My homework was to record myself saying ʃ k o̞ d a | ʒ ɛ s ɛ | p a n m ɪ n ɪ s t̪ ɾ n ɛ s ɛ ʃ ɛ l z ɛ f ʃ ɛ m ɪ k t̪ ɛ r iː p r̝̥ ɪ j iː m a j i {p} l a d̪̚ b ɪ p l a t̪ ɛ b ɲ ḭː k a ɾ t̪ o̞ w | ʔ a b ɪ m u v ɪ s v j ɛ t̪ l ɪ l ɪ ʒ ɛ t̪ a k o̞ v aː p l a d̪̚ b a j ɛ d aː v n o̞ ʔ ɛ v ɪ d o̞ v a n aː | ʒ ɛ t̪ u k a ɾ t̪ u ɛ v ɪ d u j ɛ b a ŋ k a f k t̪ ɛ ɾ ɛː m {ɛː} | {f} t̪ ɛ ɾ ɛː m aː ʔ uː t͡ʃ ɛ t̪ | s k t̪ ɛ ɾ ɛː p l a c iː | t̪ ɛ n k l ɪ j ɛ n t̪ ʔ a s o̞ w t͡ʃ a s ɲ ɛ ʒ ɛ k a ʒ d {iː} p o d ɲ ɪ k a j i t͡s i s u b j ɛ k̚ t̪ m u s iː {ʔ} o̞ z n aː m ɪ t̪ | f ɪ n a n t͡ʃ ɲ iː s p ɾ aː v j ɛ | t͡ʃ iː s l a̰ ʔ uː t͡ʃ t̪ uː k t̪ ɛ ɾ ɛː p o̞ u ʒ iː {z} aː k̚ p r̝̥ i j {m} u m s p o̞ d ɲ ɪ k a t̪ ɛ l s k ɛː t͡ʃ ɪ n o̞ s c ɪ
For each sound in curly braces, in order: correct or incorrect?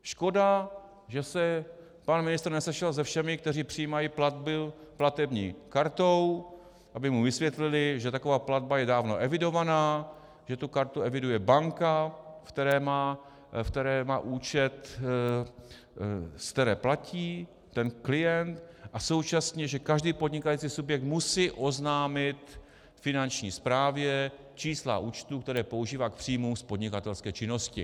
correct, incorrect: aː, correct, correct, correct, incorrect: v, correct

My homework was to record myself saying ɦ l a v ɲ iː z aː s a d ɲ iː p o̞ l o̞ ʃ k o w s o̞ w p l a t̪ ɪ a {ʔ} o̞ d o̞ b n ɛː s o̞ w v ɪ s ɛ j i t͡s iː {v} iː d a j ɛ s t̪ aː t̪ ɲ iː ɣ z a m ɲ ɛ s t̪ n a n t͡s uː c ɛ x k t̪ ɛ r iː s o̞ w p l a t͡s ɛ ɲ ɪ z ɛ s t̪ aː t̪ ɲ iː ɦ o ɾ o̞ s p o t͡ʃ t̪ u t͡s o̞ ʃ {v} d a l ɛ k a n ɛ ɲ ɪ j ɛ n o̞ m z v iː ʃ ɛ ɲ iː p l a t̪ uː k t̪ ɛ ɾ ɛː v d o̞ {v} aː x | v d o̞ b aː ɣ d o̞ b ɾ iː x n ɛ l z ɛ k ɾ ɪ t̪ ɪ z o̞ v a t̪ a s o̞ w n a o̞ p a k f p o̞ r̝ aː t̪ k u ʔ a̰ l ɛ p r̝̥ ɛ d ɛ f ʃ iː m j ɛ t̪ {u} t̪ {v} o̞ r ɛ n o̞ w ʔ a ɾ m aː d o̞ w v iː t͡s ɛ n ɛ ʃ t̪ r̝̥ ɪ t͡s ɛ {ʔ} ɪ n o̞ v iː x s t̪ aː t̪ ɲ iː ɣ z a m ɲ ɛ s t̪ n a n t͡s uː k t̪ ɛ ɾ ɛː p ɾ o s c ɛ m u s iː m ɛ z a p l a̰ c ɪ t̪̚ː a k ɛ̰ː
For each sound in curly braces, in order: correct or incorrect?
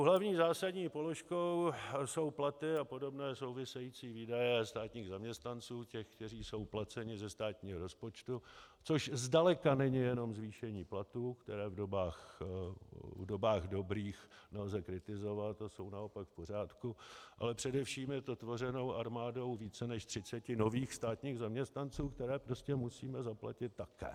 incorrect: p, correct, incorrect: z, incorrect: b, incorrect: o, correct, incorrect: c

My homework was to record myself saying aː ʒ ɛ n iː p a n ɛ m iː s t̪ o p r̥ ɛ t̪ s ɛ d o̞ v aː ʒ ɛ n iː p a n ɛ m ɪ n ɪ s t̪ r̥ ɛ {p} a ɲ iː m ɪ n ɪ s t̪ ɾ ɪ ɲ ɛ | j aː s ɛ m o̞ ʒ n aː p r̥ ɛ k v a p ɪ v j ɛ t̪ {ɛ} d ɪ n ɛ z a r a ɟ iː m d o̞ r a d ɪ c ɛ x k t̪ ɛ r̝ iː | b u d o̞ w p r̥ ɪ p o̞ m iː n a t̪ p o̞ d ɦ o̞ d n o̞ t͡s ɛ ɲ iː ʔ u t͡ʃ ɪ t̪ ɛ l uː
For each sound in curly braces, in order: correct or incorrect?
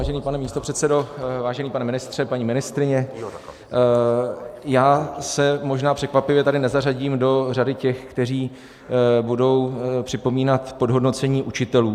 correct, incorrect: a

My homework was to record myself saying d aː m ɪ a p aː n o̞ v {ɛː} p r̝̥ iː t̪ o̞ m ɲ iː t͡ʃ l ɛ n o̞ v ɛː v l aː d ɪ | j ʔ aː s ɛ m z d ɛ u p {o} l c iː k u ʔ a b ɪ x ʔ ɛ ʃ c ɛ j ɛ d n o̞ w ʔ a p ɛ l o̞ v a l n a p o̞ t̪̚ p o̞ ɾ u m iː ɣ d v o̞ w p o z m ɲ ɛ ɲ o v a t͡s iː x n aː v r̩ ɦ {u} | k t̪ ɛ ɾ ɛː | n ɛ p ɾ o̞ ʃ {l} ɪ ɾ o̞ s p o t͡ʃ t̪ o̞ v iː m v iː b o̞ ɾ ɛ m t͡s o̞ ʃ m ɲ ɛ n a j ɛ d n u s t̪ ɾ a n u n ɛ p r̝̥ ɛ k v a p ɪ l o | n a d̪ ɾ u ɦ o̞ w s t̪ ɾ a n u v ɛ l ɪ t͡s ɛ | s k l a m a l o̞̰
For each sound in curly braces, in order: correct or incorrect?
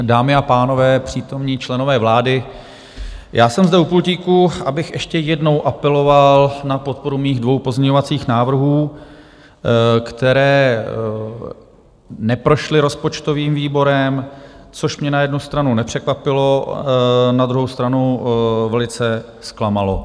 correct, incorrect: u, incorrect: uː, correct

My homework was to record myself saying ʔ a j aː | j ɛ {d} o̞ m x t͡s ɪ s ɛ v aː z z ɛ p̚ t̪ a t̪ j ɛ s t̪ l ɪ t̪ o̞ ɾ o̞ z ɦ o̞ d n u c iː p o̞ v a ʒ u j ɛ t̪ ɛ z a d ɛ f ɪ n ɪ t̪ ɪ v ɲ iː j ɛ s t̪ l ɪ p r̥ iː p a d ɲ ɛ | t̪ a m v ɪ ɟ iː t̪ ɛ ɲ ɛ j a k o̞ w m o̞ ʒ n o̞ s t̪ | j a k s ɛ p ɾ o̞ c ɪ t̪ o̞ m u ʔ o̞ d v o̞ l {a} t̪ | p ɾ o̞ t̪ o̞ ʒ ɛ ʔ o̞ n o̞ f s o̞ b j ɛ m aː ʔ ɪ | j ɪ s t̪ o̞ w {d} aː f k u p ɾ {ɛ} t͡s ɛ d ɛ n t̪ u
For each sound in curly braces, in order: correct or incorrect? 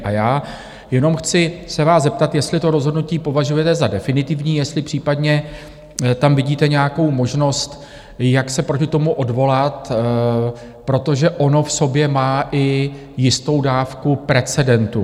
incorrect: n, correct, correct, correct

